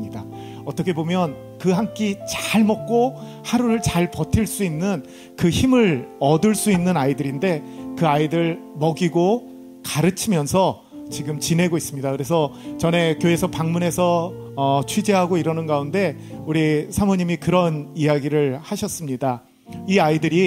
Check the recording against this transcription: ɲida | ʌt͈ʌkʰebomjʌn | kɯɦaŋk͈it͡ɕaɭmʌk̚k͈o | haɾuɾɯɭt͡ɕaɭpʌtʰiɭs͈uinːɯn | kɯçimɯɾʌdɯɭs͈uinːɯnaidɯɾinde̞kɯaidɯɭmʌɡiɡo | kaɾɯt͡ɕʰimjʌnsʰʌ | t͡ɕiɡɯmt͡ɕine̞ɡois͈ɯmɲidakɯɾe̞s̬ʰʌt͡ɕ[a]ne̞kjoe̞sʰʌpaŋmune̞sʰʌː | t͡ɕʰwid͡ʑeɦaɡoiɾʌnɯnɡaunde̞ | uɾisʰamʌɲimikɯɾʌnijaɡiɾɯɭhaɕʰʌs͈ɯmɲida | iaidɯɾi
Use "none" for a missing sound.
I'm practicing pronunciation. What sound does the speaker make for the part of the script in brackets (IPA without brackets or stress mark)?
ʌ